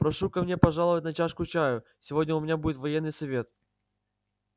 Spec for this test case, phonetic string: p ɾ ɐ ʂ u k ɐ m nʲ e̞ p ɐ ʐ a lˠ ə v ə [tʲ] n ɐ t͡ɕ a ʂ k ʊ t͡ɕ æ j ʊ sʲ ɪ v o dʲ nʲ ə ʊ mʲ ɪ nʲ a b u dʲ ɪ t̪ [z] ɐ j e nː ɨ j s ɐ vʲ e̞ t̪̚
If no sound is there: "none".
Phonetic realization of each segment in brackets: tʲ, v

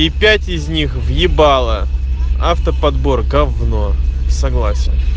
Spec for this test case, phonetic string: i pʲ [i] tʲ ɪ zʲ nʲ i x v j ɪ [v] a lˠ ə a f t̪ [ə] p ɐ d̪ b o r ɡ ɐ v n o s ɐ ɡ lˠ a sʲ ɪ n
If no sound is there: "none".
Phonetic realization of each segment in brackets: æ, b, ə

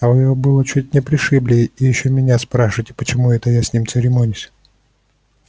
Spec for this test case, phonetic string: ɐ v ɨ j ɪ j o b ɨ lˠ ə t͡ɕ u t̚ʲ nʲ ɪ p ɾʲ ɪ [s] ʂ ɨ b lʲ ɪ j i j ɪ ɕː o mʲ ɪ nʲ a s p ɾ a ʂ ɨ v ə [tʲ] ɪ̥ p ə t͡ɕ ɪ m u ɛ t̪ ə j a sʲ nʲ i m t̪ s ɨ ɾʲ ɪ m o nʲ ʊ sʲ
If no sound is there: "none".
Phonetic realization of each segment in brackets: none, tʲ

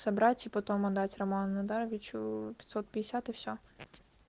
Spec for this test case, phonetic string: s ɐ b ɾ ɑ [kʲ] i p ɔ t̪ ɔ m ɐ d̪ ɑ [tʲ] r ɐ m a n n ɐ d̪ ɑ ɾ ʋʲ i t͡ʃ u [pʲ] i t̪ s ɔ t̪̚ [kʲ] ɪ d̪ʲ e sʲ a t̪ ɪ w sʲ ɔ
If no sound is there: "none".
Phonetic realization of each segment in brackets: tʲ, tʲ, pʲ, pʲ

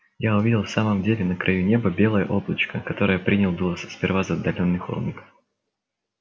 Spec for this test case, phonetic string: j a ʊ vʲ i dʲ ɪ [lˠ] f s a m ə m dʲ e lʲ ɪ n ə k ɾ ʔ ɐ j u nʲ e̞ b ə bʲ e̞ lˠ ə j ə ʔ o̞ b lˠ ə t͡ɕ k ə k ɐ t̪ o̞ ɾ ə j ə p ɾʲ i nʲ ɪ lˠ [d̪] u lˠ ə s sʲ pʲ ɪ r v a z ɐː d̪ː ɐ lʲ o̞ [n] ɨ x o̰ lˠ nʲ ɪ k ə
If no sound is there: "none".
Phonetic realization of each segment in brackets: lˠ, d̪, nː

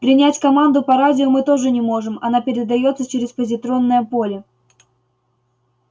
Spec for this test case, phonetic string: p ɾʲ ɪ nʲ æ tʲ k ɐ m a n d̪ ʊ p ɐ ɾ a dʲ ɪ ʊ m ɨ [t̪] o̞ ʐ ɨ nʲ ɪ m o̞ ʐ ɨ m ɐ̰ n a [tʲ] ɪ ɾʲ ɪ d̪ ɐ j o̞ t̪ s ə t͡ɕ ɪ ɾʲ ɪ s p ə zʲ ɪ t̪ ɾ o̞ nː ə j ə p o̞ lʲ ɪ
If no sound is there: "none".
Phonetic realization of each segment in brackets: t̪, pʲ

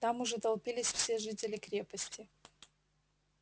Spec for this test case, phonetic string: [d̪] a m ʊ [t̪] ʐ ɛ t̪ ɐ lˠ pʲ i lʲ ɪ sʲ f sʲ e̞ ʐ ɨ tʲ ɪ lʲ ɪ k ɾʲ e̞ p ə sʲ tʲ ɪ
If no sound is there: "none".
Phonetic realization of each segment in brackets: t̪, none

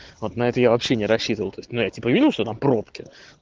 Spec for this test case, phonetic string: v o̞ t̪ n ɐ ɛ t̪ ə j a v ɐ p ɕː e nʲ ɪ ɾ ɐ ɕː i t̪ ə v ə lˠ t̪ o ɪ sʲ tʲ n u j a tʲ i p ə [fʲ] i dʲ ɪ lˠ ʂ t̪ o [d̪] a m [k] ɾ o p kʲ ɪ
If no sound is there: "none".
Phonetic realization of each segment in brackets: vʲ, t̪, p

